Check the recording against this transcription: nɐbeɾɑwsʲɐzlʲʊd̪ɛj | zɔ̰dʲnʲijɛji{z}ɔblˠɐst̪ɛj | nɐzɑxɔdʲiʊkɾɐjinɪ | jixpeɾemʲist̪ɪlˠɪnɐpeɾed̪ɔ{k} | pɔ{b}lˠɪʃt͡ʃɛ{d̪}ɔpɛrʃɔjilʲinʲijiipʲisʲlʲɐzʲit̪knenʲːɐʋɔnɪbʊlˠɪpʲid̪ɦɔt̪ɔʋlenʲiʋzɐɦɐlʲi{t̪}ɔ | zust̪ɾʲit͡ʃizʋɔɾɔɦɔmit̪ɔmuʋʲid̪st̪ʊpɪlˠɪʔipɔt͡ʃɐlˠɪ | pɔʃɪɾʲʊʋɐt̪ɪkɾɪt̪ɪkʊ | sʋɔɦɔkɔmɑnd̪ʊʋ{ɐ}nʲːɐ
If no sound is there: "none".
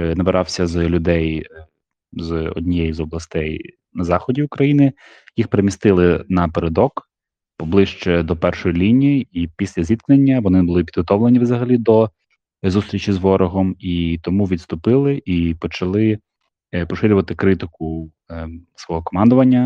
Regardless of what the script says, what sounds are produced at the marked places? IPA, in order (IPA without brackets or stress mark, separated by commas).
z, k, b, d̪, d̪, ɐ